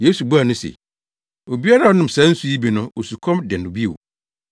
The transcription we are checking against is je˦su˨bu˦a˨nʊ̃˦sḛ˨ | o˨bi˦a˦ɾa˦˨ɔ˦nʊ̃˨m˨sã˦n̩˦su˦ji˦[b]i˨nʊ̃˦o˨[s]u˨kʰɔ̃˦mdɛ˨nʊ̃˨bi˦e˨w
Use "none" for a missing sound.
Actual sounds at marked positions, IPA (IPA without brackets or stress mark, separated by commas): b, s